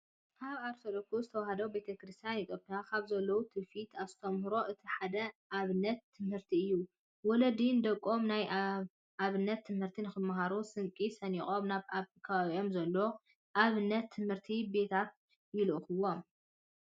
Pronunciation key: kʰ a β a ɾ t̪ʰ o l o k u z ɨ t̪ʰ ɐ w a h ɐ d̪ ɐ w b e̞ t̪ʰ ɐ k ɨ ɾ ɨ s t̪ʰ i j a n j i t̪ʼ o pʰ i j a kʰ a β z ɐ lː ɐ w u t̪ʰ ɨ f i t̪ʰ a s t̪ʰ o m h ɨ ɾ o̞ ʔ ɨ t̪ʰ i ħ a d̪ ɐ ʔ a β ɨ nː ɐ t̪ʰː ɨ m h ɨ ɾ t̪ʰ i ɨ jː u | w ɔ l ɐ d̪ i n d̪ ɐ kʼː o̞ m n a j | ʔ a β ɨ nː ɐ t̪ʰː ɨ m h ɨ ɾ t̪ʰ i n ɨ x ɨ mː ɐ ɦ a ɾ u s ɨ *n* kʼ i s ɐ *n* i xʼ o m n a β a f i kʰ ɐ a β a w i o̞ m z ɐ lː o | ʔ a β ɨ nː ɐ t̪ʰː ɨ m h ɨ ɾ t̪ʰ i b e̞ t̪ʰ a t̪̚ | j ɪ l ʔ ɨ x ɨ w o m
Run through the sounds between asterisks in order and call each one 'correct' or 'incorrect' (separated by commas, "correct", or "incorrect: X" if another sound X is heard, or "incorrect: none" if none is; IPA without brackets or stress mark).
incorrect: ŋ, correct